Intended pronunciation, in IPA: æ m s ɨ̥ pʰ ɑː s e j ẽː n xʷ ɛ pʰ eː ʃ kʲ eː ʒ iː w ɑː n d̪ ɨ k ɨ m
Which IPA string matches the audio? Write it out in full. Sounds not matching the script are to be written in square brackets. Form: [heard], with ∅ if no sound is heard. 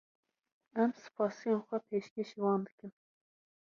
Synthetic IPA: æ m s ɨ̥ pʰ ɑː s [i] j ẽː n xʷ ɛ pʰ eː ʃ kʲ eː [ʃ] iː w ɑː n d̪ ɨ k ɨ m